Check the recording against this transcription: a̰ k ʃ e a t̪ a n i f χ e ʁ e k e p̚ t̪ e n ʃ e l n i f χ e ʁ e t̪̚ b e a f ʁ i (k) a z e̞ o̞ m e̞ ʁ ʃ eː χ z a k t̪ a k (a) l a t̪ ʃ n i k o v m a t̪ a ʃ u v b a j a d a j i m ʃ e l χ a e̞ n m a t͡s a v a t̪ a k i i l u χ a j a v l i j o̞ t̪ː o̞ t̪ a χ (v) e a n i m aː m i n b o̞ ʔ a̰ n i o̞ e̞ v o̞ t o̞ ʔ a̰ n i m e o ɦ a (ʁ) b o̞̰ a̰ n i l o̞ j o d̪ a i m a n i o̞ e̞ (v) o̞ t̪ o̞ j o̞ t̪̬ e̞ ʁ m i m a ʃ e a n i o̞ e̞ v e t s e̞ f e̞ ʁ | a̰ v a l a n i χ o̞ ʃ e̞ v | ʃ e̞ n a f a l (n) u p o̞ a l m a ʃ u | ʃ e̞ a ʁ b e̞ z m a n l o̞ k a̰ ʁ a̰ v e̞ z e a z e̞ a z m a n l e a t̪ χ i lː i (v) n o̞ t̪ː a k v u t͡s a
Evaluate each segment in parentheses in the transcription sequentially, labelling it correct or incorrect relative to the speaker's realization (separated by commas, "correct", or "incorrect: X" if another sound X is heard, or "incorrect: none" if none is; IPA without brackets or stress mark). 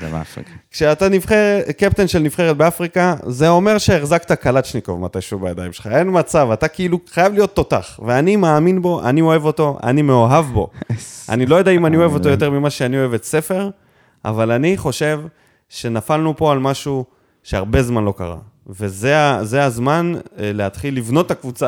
correct, correct, correct, incorrect: v, correct, correct, correct